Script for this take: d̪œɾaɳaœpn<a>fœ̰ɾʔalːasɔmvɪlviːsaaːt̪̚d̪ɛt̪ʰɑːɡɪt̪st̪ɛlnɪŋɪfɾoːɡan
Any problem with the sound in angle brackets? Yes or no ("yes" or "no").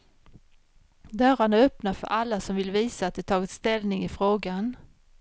no